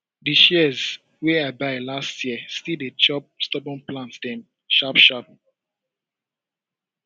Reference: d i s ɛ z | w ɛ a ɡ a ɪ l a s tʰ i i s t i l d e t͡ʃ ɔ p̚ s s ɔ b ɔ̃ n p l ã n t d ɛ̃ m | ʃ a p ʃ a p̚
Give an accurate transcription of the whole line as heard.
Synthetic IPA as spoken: d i ʃ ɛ z | w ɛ a b a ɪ l a s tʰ j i s t i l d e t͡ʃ ɔ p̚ s t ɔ b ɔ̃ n p l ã n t d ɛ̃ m | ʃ a p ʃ a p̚